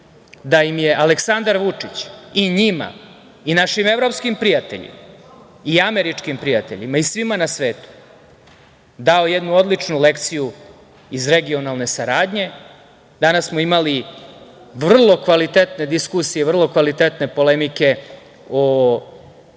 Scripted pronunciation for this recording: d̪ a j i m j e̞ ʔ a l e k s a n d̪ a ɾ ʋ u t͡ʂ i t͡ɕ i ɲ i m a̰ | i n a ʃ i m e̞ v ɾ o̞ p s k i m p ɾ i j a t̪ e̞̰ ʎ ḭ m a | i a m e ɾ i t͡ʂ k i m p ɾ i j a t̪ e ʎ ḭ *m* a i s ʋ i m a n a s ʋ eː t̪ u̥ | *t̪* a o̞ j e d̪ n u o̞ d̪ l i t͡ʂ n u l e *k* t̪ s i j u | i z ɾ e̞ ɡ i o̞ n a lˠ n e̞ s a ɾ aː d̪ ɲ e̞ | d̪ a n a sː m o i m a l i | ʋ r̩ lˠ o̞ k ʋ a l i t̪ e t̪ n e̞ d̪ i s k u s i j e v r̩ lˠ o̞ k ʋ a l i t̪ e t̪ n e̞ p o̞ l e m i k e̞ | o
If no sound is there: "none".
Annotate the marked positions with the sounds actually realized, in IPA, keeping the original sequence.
m, d̪, k

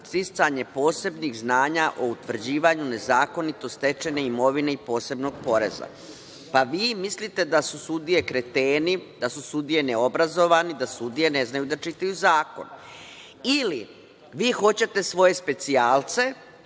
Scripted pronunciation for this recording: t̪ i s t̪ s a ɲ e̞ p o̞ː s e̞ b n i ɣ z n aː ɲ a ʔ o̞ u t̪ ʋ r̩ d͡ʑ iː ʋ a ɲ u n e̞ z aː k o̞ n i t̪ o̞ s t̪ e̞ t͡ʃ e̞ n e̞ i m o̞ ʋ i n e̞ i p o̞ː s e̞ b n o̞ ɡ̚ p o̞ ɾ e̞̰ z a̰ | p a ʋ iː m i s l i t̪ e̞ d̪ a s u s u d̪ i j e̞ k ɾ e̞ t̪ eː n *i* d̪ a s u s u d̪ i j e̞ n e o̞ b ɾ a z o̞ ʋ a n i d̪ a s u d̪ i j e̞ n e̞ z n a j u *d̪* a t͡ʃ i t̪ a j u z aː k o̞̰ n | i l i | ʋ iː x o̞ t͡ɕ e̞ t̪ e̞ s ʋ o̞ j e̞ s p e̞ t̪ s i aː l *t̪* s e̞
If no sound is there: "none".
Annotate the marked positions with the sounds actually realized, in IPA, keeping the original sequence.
i, d̪, t̪

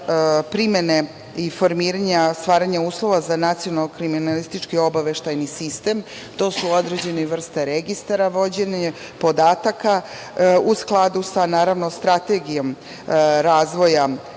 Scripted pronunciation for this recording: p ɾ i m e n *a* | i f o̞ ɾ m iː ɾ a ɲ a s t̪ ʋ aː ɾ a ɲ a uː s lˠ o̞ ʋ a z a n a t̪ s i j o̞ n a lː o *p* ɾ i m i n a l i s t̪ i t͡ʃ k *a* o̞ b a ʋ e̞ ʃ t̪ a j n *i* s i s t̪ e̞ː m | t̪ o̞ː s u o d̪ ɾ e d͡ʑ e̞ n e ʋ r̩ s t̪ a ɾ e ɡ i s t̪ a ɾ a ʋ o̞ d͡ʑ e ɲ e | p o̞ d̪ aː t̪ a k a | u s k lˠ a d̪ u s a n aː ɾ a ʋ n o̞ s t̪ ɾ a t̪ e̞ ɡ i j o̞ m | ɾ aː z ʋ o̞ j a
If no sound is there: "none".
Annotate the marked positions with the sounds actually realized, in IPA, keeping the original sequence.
e, k, i, i

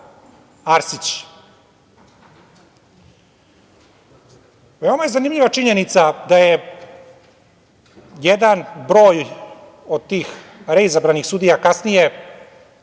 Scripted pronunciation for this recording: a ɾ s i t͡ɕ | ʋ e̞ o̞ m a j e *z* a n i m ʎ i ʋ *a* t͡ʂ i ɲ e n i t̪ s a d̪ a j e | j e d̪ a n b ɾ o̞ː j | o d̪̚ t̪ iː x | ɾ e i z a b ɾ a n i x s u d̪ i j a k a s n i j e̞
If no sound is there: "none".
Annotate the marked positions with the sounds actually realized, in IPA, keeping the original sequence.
z, a

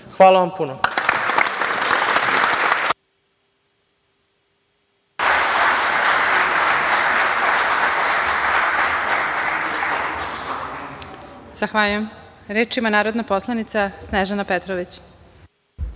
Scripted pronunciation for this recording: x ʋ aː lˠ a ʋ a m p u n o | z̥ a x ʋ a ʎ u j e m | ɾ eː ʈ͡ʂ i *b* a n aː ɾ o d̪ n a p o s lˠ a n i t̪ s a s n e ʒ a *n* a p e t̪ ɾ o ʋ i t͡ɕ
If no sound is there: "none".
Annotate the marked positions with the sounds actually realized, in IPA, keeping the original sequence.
m, n

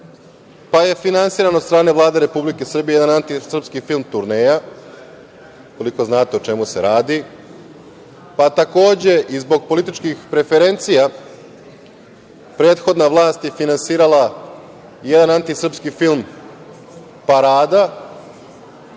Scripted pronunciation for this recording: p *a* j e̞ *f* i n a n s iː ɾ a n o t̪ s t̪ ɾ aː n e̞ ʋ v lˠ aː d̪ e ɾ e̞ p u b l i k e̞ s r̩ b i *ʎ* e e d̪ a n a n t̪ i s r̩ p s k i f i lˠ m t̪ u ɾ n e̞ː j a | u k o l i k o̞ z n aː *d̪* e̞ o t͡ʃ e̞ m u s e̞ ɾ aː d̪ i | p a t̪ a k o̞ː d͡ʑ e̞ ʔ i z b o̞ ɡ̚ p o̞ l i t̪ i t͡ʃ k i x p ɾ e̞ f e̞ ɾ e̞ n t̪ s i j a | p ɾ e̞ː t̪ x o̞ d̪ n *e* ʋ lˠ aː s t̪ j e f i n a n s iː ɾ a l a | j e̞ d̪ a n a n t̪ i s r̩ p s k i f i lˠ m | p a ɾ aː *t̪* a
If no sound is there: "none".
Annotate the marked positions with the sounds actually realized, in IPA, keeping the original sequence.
a, f, j, t̪, a, d̪

